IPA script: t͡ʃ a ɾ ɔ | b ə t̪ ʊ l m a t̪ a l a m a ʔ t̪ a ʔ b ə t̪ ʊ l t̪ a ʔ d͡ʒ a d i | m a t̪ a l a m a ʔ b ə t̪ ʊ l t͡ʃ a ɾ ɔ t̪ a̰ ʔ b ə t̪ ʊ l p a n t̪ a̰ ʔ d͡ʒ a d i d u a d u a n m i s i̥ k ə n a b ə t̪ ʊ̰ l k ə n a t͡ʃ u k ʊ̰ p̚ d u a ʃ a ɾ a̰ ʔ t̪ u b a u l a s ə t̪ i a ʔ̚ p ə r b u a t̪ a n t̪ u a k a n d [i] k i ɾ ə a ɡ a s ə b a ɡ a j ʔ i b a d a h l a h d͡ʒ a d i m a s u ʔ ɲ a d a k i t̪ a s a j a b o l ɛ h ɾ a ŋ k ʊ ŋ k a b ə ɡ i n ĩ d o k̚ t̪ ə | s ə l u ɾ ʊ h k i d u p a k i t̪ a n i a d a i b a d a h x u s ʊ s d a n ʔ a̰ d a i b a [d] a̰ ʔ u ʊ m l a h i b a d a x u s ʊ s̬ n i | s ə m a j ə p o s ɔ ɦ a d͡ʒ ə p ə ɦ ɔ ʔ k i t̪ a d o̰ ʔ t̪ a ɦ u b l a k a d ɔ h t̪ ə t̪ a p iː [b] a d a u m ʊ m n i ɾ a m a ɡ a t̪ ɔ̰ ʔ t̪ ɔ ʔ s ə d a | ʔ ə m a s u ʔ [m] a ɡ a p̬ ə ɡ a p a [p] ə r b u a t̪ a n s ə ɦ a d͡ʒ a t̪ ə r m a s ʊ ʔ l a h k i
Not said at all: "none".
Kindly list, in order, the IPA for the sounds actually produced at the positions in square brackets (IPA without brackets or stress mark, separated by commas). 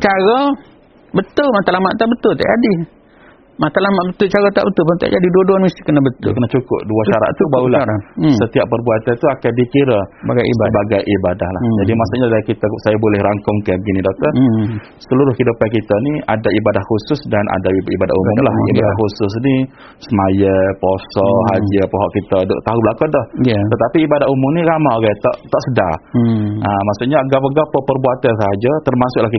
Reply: i, d, b, ɲ, p